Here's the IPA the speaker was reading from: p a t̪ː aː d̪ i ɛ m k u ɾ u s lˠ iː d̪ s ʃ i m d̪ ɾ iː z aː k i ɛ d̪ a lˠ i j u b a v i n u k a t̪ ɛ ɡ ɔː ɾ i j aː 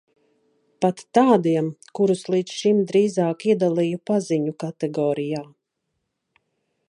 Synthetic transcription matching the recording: p a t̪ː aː d̪ i ɛ m k u ɾ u s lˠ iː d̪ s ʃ i m d̪ ɾ iː z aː k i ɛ d̪ a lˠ i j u p a z i ɲ u k a t̪ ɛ ɡ ɔː ɾ i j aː